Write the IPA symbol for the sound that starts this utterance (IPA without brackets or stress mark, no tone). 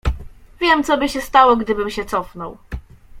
vʲ